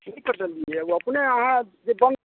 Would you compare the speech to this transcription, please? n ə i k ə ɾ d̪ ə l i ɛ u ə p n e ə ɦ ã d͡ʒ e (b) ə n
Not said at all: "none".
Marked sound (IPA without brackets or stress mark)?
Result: b